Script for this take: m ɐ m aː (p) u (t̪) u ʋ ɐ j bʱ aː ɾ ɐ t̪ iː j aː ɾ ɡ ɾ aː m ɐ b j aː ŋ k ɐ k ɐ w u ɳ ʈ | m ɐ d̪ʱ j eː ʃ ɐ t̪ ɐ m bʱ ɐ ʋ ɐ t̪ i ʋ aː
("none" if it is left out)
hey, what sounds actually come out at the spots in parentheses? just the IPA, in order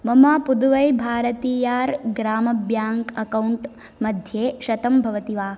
p, d̪

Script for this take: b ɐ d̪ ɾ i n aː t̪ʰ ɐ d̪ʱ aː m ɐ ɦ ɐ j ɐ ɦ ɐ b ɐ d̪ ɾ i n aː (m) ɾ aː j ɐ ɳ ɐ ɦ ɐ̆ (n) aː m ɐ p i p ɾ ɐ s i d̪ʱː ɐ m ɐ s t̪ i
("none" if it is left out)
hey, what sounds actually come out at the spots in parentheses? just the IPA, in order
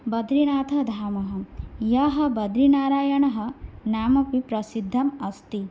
none, n

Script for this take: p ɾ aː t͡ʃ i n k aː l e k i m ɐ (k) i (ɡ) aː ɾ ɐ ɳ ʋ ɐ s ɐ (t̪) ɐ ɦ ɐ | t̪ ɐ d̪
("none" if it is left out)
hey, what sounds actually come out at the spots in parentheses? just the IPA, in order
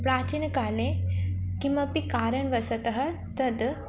p, k, t̪

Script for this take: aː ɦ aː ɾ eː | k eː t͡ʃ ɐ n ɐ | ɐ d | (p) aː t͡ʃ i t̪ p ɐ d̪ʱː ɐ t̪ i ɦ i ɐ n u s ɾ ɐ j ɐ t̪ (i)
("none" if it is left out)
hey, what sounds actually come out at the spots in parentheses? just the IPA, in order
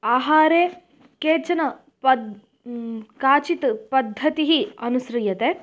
k, e

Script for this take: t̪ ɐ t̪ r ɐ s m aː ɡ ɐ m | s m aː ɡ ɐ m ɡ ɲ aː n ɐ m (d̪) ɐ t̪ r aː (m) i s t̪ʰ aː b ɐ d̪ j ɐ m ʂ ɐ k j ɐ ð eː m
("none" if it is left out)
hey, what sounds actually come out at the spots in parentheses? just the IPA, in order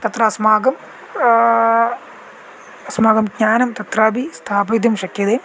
t̪, b

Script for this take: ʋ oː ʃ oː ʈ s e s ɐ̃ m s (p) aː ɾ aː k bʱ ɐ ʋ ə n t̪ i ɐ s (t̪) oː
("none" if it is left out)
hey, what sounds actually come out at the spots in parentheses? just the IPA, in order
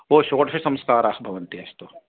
k, t̪

